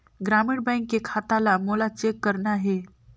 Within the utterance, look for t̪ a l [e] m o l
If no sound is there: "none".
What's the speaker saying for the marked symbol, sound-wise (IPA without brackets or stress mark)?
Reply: a